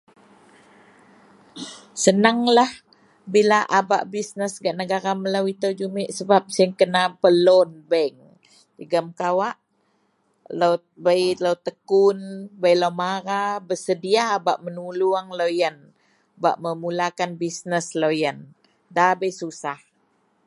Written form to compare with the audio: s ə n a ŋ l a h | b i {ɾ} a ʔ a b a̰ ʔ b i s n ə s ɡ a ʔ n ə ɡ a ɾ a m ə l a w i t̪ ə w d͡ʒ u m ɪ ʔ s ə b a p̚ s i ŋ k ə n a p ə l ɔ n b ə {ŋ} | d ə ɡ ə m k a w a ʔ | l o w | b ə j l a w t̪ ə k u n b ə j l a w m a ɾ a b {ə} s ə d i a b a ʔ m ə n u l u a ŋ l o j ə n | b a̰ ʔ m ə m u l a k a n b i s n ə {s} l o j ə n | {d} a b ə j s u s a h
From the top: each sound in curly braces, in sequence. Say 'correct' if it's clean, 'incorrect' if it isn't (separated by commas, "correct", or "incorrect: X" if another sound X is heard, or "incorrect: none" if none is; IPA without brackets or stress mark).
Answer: incorrect: l, correct, correct, correct, correct